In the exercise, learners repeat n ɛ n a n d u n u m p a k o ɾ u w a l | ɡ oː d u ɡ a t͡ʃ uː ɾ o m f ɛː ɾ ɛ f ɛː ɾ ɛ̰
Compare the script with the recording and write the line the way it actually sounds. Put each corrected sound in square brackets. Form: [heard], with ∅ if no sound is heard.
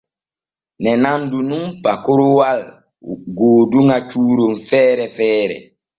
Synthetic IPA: n ɛ n a n d u n u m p a k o ɾ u w a l | ɡ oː d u [ŋ] a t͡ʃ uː ɾ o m f ɛː ɾ ɛ f ɛː ɾ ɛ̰